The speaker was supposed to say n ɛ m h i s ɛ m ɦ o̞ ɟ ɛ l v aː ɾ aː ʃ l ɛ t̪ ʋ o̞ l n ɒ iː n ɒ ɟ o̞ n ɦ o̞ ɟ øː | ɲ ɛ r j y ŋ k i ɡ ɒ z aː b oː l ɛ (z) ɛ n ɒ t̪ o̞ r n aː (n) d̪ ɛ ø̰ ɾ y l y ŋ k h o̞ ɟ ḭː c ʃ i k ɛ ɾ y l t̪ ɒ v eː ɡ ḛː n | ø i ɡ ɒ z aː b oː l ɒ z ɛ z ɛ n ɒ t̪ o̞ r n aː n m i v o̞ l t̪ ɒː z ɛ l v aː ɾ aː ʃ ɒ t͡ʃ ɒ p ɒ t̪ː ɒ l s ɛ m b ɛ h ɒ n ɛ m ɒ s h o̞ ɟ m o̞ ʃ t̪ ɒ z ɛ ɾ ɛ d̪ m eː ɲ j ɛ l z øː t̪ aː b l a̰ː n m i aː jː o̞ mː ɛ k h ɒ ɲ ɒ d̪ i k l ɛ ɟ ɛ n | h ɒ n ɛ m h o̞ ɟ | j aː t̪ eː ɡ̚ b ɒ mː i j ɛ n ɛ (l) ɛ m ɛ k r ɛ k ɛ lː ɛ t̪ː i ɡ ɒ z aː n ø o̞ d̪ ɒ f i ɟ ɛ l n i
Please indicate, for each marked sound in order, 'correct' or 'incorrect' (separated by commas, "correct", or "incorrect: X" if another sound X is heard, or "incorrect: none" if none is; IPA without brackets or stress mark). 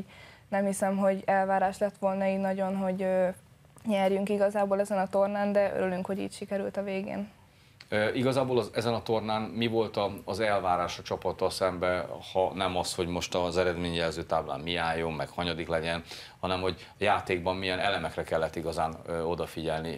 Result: correct, correct, correct